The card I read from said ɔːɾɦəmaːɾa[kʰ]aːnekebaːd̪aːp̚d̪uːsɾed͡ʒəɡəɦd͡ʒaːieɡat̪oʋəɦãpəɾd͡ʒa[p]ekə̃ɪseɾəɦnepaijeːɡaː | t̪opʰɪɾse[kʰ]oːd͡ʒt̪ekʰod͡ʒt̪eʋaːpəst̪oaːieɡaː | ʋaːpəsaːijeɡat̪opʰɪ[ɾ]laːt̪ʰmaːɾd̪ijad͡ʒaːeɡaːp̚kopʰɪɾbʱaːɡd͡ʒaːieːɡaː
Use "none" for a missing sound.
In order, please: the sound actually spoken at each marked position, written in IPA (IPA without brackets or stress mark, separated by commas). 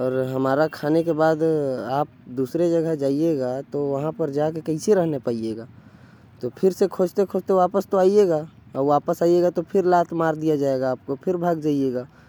kʰ, k, kʰ, ɾ